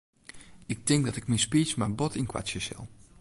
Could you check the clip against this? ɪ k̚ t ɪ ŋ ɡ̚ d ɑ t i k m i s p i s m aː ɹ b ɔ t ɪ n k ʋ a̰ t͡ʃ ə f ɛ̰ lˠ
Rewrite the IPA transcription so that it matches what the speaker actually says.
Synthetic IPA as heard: ɪ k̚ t ɪ ŋ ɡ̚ d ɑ t ɪ k m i s p i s m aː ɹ b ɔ t ɪ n k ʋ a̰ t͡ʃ ə s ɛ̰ lˠ